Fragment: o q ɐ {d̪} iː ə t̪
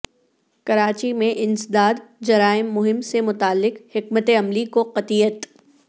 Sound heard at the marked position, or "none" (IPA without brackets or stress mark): t̪